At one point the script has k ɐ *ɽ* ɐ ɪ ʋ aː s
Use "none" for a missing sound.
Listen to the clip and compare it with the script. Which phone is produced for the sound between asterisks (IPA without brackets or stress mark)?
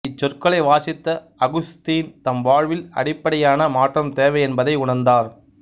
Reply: ɭ